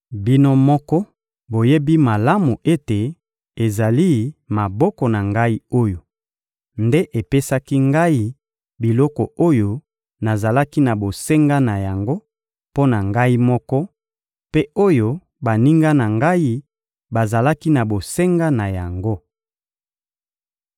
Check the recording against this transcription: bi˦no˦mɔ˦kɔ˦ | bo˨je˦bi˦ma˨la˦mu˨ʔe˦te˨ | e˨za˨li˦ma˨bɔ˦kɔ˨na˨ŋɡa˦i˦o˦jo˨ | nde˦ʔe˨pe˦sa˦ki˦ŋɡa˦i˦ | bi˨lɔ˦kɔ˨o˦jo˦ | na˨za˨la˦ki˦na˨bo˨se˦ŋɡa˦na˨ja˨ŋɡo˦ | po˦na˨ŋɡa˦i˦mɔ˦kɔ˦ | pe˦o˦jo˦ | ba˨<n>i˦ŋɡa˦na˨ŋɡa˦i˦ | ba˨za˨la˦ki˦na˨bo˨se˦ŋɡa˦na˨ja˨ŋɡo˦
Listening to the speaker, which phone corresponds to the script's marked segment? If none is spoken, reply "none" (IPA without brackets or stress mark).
n